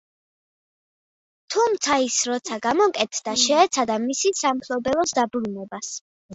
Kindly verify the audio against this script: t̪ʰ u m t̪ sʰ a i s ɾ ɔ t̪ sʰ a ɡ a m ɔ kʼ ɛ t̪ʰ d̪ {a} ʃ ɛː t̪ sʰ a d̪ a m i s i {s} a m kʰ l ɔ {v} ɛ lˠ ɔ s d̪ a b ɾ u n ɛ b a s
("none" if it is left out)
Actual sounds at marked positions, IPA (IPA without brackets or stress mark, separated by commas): a, s, b